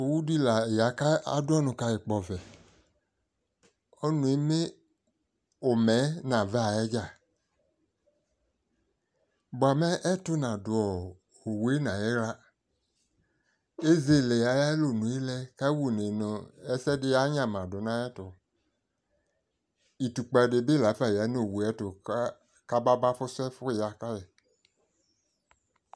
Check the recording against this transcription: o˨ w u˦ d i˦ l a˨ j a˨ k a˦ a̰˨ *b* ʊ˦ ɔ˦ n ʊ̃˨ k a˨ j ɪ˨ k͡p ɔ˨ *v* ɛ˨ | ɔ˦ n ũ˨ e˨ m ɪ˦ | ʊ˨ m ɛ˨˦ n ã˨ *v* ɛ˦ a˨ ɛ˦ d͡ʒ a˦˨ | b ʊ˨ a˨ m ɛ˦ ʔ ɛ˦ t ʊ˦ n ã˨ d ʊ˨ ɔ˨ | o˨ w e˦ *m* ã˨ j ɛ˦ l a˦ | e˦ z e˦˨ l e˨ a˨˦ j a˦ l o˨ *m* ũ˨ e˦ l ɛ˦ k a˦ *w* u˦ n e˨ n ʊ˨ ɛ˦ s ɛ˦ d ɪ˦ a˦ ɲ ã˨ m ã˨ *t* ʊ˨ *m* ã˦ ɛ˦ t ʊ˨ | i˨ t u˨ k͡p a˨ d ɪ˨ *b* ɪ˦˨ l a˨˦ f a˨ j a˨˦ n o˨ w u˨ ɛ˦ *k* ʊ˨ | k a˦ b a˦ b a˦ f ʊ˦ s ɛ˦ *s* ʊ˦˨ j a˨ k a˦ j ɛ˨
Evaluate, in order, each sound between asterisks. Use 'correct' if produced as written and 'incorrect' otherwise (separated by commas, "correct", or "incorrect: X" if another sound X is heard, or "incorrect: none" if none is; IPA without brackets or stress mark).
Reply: incorrect: d, correct, correct, incorrect: n, incorrect: n, correct, incorrect: d, incorrect: n, correct, incorrect: t, incorrect: f